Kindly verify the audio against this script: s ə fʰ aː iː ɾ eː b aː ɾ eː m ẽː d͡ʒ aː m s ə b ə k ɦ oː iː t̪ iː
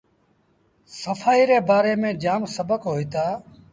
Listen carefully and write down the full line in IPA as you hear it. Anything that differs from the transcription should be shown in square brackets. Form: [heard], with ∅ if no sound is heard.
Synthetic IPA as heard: s ə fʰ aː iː ɾ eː b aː ɾ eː m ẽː d͡ʒ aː m s ə b ə k ɦ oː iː t̪ [aː]